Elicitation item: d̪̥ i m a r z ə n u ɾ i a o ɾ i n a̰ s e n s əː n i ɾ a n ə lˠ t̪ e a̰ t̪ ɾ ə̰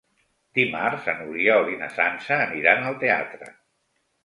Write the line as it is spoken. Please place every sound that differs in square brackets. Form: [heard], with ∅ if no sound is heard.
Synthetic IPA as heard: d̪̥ i m a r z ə n u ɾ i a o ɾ i n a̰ s [a] n s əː n i ɾ a n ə lˠ t̪ e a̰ t̪ ɾ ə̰